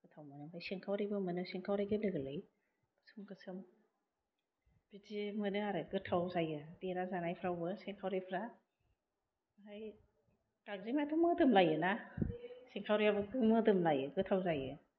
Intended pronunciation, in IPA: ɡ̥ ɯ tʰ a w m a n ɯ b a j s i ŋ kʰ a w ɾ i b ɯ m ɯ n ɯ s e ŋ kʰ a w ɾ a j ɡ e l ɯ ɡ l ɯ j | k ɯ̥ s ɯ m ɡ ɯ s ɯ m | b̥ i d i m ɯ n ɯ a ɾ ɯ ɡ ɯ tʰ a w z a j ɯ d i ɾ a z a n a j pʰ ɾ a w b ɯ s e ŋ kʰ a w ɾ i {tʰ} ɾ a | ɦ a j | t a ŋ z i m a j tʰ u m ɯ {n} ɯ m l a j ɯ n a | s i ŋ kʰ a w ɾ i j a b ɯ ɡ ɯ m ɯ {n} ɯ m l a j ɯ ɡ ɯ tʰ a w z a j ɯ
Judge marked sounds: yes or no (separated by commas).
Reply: no, no, no